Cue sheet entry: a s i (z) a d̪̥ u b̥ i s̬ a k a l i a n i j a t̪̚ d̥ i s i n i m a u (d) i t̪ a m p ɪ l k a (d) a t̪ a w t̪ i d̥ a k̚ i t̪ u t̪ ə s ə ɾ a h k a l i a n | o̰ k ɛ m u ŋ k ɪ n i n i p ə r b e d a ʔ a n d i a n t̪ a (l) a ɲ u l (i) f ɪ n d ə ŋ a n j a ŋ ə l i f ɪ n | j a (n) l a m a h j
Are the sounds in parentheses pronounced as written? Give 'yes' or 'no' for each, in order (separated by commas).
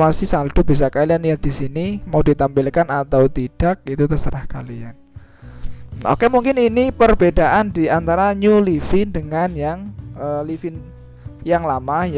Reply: no, yes, no, no, yes, no